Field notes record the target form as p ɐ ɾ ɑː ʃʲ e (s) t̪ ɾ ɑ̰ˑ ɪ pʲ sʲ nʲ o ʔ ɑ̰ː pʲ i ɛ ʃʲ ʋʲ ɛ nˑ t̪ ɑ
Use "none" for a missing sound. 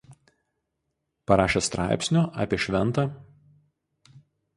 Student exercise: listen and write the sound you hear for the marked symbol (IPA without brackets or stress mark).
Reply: s